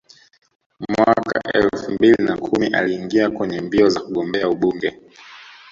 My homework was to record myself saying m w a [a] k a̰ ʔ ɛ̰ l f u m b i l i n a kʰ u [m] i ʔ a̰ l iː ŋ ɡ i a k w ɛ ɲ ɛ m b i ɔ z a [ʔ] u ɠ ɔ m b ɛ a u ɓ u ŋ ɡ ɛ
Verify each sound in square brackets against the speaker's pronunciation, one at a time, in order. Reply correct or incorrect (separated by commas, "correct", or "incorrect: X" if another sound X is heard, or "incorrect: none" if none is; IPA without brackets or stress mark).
correct, correct, incorrect: k